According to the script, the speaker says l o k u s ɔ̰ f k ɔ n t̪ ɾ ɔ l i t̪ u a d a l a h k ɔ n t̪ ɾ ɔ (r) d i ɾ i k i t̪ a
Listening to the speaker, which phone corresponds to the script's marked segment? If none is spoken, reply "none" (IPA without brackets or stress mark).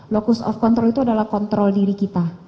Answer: l